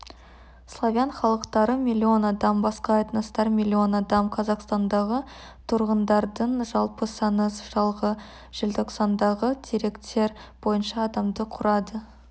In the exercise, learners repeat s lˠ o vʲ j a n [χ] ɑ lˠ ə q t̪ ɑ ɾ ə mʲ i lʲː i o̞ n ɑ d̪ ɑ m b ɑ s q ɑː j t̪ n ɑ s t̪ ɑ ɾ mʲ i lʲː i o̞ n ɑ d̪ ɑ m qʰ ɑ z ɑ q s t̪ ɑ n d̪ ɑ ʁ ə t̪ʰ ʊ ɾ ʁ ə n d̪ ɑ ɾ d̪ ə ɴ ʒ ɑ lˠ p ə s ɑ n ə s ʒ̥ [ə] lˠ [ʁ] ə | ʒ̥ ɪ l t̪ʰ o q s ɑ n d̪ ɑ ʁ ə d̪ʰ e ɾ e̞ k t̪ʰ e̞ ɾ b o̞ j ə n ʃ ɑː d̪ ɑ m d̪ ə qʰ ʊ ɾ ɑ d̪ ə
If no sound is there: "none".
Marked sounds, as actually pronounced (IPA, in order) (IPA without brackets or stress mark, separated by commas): χ, ɑ, ʁ